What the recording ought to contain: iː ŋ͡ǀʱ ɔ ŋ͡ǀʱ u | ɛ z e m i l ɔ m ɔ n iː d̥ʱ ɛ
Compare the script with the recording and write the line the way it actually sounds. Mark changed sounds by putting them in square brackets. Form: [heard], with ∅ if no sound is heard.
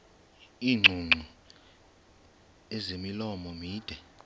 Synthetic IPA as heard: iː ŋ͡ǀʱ [u] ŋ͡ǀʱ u | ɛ z e m i l ɔ m ɔ [m] iː d̥ʱ ɛ